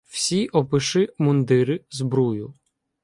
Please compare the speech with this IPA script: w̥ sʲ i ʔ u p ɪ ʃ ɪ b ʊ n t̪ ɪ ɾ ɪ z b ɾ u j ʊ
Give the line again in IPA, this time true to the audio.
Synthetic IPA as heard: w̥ sʲ i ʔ ɔ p ɪ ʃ ɪ m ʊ n d̪ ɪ ɾ ɪ z b ɾ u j ʊ